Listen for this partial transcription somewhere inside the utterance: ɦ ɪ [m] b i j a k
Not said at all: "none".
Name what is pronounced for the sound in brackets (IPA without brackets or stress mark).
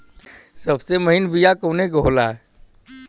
n